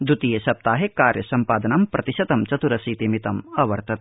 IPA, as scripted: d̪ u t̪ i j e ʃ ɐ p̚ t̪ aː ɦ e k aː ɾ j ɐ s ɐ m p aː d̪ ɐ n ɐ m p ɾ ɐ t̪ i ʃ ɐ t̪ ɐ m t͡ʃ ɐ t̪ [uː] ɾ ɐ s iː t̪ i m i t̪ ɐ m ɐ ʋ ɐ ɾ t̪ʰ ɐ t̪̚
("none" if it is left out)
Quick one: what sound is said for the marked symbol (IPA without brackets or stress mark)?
u